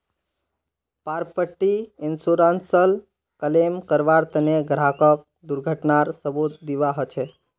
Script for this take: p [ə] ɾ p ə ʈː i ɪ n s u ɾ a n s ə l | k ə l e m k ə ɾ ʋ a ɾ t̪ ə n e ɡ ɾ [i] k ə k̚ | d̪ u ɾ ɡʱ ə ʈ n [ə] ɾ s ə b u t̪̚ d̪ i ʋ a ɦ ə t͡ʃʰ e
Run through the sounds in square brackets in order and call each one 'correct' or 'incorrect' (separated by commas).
incorrect, incorrect, incorrect